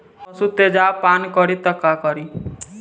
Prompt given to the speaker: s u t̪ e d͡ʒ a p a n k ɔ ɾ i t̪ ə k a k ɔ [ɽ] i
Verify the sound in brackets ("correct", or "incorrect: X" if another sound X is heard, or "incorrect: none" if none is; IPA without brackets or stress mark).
incorrect: ɾ